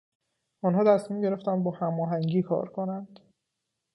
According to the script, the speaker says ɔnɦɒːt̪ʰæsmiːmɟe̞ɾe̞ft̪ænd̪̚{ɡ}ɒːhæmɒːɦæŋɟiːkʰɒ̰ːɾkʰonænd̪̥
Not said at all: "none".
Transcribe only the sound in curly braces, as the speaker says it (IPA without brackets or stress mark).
b